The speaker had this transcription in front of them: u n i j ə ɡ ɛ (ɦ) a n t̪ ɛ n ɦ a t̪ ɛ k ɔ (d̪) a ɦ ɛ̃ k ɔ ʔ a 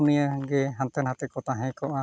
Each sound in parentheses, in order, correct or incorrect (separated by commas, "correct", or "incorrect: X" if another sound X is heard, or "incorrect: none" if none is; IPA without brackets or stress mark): correct, incorrect: t̪